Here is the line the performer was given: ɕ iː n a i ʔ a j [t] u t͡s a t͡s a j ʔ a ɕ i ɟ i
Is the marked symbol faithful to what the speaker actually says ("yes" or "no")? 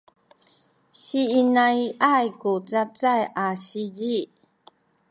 no